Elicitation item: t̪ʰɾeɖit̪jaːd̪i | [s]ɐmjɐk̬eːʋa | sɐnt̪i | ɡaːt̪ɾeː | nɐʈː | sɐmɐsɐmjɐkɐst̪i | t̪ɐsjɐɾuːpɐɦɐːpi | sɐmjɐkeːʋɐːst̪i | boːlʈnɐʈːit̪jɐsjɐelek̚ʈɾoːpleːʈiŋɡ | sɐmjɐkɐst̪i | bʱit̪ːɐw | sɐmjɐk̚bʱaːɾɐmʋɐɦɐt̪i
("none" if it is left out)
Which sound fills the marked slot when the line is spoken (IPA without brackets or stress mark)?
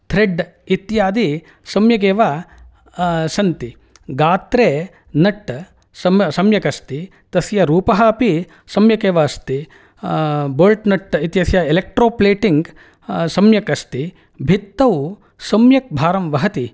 s